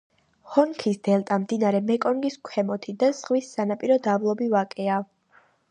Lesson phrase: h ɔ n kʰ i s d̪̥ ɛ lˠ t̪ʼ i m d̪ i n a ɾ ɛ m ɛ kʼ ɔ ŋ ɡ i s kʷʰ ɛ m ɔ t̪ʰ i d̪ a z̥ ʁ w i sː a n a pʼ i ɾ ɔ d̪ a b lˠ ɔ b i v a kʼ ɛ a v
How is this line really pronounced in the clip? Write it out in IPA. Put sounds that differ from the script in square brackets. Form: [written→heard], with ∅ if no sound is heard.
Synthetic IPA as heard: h ɔ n kʰ i s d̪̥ ɛ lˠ t̪ʼ [i→a] m d̪ i n a ɾ ɛ m ɛ kʼ ɔ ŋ ɡ i s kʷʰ ɛ m ɔ t̪ʰ i d̪ a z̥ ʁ w i sː a n a pʼ i ɾ ɔ d̪ a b lˠ ɔ b i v a kʼ ɛ a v